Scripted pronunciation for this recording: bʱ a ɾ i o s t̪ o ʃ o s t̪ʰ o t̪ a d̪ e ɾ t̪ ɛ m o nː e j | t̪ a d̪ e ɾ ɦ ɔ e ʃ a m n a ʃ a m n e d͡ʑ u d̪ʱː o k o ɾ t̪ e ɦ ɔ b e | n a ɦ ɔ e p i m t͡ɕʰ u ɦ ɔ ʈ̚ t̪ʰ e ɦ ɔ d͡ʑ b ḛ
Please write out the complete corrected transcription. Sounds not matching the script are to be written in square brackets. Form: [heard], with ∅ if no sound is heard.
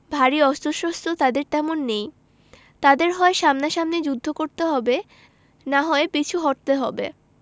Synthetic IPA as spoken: bʱ a ɾ i [ɔ] s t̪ o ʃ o s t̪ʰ o t̪ a d̪ e ɾ t̪ ɛ m o nː e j | t̪ a d̪ e ɾ ɦ ɔ e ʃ a m n a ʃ a m n e d͡ʑ u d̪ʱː o k o ɾ t̪ e ɦ ɔ b e | n a ɦ ɔ e p i [∅] t͡ɕʰ u ɦ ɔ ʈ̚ [t̪] e ɦ ɔ [∅] b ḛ

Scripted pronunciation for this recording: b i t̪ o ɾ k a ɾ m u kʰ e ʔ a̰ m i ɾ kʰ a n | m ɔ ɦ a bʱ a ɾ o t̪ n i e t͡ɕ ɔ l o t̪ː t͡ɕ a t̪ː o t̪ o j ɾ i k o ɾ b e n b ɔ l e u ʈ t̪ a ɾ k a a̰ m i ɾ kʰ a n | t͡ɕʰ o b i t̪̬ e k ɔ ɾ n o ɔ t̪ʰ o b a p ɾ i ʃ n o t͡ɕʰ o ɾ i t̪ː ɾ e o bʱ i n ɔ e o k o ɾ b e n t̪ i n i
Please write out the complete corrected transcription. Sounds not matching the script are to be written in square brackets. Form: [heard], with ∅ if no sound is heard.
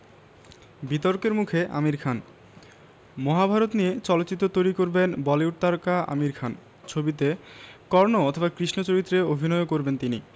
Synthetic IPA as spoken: b i t̪ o ɾ k [e] ɾ m u kʰ e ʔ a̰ m i ɾ kʰ a n | m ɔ ɦ a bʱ a ɾ o t̪ n i e t͡ɕ ɔ l o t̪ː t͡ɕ [i] t̪ː o t̪ o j ɾ i k o ɾ b e n b ɔ l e u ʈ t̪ a ɾ k a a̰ m i ɾ kʰ a n | t͡ɕʰ o b i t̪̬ e k ɔ ɾ n o ɔ t̪ʰ o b a [k] ɾ i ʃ n o [t͡ɕ] o ɾ i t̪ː ɾ e o bʱ i n ɔ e o k o ɾ b e n t̪ i n i

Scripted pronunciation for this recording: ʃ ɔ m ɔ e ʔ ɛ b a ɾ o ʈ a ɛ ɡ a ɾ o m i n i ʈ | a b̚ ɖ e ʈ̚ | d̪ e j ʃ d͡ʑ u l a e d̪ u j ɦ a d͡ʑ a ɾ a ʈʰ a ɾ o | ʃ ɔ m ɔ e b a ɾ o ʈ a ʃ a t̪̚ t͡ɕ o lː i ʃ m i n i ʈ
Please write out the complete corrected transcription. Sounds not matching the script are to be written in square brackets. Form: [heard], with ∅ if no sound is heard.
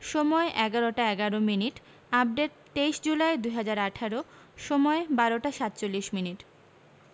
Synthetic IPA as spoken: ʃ ɔ m ɔ e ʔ ɛ [ɡ] a ɾ o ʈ a ɛ ɡ a ɾ o m i n i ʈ | a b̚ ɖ e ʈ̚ | [t̪] e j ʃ d͡ʑ u l a e d̪ u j ɦ a d͡ʑ a ɾ a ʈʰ a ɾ o | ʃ ɔ m ɔ e b a ɾ o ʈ a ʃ a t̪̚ t͡ɕ o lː i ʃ m i n i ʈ

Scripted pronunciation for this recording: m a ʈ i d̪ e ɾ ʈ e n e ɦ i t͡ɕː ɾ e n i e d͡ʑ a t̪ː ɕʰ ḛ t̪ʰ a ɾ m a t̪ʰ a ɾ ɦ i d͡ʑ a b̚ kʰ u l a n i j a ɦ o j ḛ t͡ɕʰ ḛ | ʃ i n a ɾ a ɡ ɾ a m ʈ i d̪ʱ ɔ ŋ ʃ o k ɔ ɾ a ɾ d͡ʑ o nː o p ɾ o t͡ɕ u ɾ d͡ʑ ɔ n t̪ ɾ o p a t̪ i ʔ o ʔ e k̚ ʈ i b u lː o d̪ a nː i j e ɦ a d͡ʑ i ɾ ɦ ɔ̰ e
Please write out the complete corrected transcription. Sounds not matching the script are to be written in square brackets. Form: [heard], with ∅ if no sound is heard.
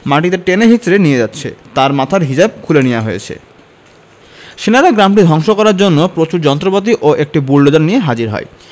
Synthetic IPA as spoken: m a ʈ i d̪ e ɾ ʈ e n e ɦ i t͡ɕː ɾ e n i e d͡ʑ a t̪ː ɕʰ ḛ [t̪] a ɾ m a t̪ʰ a ɾ ɦ i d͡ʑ a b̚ kʰ u l [e] n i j a ɦ o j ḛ t͡ɕʰ ḛ | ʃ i n a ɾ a ɡ ɾ a m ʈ i d̪ʱ ɔ ŋ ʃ o k ɔ ɾ a ɾ d͡ʑ o nː o p ɾ o t͡ɕ u ɾ d͡ʑ ɔ n t̪ ɾ o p a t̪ i ʔ o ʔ e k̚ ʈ i b u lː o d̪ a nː i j e ɦ a d͡ʑ i ɾ ɦ ɔ̰ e

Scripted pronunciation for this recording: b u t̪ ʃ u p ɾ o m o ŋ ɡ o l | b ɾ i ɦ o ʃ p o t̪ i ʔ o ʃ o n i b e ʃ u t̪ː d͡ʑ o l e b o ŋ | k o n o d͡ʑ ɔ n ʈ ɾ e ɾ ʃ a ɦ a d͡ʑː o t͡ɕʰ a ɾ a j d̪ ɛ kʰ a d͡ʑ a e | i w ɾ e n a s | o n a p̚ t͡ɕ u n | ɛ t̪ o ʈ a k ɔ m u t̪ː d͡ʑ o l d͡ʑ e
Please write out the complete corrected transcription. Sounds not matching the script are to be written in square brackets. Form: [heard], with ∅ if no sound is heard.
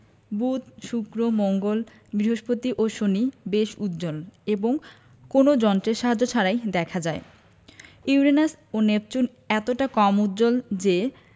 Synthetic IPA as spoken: b u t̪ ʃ u [k] ɾ o m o ŋ ɡ o l | b ɾ i ɦ o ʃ p o t̪ i ʔ o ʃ o n i b e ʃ u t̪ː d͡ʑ o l e b o ŋ | k o n o d͡ʑ ɔ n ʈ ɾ e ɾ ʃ a ɦ a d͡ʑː o t͡ɕʰ a ɾ a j d̪ ɛ kʰ a d͡ʑ a e | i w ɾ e n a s | o n [e] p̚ t͡ɕ u n | ɛ t̪ o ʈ a k ɔ m u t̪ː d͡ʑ o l d͡ʑ e

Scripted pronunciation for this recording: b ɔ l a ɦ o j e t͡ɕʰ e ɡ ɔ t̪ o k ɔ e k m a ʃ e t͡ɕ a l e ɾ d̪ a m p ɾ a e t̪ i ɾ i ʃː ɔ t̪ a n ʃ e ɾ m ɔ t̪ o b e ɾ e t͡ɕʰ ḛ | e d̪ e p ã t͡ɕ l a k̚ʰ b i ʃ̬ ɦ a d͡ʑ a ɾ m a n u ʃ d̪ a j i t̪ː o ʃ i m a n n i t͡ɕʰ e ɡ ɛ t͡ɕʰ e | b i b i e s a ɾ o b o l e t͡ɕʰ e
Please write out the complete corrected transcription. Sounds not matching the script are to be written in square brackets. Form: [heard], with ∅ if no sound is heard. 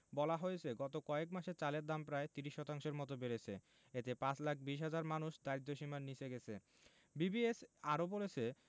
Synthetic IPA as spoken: b ɔ l a ɦ o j e t͡ɕʰ e ɡ ɔ t̪ o k ɔ e k m a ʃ e t͡ɕ a l e ɾ d̪ a m p ɾ a e t̪ i ɾ i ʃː ɔ t̪ a [ŋ] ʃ e ɾ m ɔ t̪ o b e ɾ e t͡ɕʰ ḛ | e [t̪] e p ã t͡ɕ l a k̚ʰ b i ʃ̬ ɦ a d͡ʑ a ɾ m a n u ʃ d̪ a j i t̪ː o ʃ i m a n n i t͡ɕʰ e ɡ ɛ t͡ɕʰ e | b i b i e s a ɾ o b o l e t͡ɕʰ e

